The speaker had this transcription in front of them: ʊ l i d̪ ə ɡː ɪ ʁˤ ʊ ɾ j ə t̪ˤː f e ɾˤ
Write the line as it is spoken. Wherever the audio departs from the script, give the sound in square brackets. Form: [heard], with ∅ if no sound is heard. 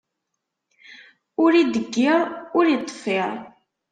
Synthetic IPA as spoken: ʊ [ɾ] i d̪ ə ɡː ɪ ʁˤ ʊ ɾ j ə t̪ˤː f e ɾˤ